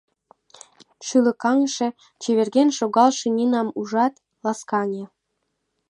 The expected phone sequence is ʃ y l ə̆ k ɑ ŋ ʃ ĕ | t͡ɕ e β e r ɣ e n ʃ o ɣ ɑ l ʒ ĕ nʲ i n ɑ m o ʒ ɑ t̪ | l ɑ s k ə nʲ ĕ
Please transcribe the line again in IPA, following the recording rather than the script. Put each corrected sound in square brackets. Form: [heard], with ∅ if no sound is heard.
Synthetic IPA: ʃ y l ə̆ k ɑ ŋ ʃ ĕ | t͡ɕ e β e r ɣ e n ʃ o ɣ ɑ l [ʃ] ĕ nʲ i n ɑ m [u] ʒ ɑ t̪ | l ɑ s k [ɑ] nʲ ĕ